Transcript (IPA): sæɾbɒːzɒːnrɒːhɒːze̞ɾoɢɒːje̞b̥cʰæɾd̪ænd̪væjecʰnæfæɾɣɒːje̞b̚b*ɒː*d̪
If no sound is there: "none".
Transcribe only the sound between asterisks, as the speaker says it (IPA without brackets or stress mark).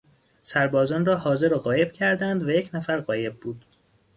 uː